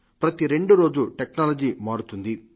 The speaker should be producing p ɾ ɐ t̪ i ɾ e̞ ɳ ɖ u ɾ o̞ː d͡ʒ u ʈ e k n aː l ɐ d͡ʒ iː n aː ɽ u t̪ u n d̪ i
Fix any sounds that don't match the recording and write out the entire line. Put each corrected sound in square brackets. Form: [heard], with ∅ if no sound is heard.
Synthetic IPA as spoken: p ɾ ɐ t̪ i ɾ e̞ ɳ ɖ u ɾ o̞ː d͡ʒ u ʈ e k n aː l ɐ d͡ʒ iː [m] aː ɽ u t̪ u n d̪ i